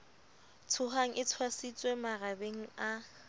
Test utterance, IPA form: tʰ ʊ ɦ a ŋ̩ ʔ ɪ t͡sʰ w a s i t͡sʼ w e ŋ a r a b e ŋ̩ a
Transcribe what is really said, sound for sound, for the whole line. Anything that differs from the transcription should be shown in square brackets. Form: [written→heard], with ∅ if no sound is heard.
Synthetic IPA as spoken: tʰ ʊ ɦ a ŋ̩ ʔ ɪ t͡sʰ w a s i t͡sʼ w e [ŋ→m] a r a b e ŋ̩ a